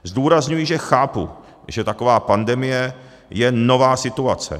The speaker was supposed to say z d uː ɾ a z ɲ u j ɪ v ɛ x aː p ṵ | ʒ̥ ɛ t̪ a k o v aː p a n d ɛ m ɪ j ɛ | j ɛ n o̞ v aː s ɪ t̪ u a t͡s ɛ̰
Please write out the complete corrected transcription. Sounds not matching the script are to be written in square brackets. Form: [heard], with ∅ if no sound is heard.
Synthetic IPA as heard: z d uː ɾ a z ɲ u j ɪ [ʒ] ɛ x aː p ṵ | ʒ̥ ɛ t̪ a k o v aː p a n d ɛ m ɪ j ɛ | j ɛ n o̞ v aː s ɪ t̪ u a t͡s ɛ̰